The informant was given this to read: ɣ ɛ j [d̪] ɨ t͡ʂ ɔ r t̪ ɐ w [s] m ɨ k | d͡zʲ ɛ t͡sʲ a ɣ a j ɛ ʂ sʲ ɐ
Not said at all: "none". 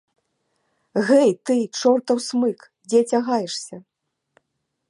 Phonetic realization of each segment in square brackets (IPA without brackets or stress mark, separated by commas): t̪, s